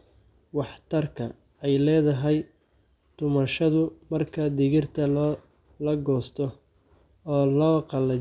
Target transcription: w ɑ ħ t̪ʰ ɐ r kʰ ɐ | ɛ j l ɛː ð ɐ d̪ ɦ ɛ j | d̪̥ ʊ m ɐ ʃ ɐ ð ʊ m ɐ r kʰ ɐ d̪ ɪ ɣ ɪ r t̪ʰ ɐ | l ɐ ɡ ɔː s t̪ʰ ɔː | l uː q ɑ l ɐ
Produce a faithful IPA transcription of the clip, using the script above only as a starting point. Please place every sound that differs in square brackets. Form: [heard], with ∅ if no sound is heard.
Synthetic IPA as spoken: w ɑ ħ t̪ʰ ɐ r kʰ ɐ | ɛ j l ɛː ð ɐ [∅] ɦ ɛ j | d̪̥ ʊ m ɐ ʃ ɐ ð ʊ m ɐ r kʰ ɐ d̪ ɪ ɣ ɪ r t̪ʰ ɐ | l ɐ ɡ ɔː s t̪ʰ ɔː | l [ɔː] q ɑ l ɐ